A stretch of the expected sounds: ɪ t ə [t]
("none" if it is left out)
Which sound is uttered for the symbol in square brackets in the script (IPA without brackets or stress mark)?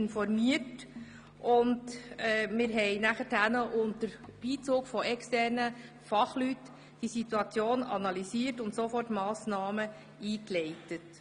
t